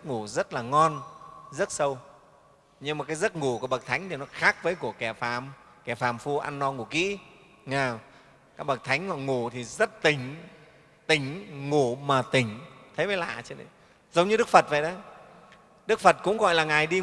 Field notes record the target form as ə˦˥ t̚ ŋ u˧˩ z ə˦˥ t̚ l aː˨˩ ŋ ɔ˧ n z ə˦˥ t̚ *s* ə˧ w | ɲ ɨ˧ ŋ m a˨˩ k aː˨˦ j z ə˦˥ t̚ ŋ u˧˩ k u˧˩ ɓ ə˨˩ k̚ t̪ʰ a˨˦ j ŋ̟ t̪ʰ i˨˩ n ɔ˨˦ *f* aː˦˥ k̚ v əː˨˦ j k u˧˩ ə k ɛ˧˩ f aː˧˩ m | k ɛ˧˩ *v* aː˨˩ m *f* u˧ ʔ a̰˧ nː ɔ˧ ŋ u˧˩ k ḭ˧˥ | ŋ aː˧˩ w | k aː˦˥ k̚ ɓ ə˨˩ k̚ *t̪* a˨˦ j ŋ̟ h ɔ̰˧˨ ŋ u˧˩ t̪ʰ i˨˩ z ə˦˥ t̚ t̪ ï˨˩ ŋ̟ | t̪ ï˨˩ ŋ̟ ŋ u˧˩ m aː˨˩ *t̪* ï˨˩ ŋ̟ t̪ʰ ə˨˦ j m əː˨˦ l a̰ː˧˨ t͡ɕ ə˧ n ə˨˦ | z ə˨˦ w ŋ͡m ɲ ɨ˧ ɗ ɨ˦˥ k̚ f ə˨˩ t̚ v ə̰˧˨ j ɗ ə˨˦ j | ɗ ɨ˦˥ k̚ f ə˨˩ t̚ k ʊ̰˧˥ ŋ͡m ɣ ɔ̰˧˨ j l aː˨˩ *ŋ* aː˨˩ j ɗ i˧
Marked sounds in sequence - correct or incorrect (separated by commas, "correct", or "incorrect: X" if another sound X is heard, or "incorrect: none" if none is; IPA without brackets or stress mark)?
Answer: correct, incorrect: x, incorrect: f, correct, incorrect: t̪ʰ, correct, correct